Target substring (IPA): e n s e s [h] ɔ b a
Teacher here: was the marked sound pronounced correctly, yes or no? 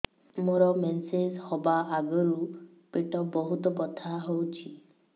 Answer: yes